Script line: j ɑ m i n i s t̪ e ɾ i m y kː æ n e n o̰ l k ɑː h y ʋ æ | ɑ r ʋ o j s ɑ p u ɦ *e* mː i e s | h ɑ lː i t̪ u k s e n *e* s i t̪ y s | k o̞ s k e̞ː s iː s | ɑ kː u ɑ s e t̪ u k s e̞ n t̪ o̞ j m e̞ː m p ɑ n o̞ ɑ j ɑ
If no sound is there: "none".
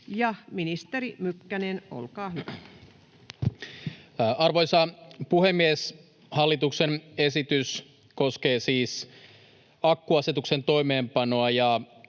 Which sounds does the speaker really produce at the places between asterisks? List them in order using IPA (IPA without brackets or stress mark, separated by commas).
e, e